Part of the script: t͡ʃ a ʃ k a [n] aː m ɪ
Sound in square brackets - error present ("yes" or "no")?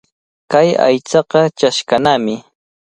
no